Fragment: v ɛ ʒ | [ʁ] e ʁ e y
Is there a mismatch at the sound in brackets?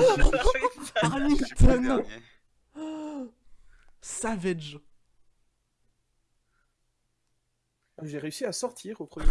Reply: yes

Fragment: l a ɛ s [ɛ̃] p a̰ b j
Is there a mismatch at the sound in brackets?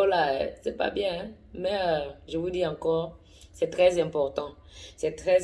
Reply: yes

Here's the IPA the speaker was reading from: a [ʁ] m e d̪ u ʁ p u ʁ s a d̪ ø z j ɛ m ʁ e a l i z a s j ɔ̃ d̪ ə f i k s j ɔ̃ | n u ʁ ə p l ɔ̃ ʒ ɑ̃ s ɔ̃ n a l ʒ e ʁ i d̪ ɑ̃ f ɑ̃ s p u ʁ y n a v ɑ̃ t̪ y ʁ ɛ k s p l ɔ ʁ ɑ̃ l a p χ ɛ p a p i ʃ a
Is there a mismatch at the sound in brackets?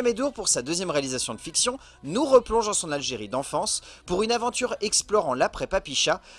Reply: yes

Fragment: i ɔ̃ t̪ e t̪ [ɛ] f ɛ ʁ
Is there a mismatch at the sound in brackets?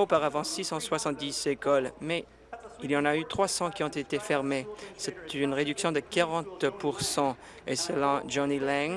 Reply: yes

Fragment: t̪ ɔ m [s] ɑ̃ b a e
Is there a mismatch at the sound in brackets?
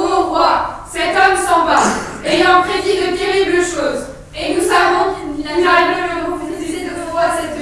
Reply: no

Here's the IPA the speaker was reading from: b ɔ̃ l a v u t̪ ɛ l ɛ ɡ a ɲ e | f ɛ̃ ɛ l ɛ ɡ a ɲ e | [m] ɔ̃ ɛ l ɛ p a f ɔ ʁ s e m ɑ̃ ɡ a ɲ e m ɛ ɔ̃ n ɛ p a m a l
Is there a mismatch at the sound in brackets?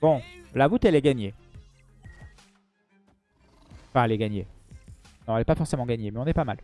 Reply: yes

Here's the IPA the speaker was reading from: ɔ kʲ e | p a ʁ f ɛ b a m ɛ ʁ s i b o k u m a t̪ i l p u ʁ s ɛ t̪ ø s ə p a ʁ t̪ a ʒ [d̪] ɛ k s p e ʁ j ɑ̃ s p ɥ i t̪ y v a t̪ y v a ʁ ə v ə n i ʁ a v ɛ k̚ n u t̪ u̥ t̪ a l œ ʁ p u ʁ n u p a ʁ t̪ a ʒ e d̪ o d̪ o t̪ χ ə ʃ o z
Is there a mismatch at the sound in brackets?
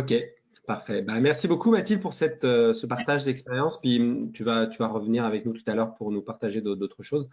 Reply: no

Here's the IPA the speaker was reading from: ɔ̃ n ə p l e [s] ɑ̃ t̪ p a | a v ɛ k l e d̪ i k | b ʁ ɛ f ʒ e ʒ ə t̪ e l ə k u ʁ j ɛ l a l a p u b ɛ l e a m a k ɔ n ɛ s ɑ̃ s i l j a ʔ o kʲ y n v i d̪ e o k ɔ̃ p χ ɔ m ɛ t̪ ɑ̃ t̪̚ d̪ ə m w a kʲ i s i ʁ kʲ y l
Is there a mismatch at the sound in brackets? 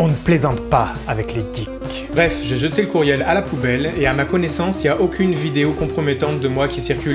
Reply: yes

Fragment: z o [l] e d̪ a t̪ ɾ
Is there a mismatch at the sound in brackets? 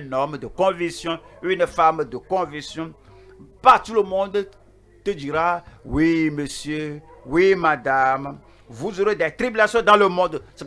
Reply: yes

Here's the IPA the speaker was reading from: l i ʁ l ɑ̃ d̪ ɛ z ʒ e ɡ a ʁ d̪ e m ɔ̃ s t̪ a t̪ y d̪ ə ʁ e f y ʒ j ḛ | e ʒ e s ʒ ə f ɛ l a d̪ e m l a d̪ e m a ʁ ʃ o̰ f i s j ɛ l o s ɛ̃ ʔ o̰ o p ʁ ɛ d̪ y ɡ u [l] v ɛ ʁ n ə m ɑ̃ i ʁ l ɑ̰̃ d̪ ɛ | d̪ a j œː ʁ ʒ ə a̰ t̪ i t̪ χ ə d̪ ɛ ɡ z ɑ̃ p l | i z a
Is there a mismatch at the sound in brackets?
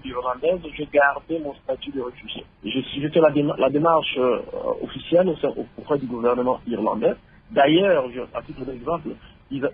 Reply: yes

